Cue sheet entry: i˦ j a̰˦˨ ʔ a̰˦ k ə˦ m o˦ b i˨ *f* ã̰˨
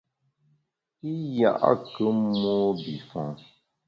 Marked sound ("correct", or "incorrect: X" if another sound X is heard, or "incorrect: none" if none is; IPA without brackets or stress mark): correct